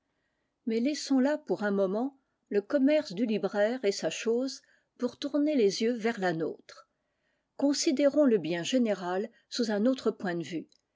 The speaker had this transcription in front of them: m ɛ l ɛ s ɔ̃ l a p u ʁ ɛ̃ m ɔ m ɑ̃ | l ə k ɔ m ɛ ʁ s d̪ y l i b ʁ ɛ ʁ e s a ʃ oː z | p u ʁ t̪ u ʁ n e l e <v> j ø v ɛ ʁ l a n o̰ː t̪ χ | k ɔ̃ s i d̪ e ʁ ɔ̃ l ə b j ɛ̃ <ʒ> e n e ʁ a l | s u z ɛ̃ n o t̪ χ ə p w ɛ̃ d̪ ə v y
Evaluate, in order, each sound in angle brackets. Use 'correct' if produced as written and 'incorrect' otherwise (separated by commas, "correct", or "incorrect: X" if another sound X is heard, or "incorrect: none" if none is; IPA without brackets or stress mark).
incorrect: z, correct